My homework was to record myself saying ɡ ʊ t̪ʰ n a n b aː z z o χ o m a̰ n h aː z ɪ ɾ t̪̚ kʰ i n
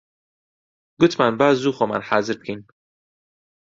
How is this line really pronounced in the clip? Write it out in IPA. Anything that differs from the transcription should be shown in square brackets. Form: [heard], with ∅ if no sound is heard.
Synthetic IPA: ɡ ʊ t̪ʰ [m] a n b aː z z [u] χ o m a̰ n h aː z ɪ ɾ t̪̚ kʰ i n